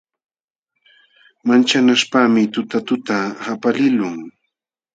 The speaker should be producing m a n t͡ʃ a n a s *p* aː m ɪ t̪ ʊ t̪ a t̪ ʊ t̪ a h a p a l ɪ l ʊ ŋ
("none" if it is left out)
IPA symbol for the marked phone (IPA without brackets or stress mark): p